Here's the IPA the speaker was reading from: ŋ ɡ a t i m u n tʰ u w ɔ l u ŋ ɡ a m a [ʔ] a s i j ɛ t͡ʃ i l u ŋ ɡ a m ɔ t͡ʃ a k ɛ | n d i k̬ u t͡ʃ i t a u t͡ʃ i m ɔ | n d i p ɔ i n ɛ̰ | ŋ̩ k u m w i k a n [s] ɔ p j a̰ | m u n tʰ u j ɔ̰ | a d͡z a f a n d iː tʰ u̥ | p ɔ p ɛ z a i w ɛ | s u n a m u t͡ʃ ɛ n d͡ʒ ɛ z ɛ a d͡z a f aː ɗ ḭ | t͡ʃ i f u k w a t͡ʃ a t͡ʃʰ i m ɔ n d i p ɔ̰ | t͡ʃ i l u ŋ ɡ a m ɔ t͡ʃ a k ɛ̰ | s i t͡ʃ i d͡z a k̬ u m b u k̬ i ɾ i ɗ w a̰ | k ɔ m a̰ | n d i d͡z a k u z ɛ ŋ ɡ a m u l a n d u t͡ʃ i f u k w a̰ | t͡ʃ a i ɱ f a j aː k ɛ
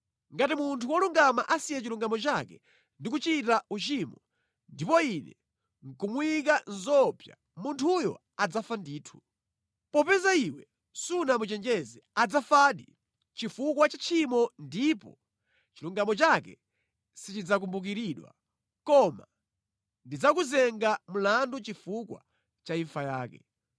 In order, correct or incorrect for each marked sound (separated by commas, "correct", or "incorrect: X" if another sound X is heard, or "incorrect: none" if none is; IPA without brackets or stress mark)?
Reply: correct, incorrect: z